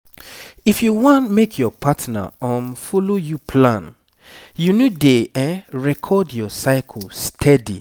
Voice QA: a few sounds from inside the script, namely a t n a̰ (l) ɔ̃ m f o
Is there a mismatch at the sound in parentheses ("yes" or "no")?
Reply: yes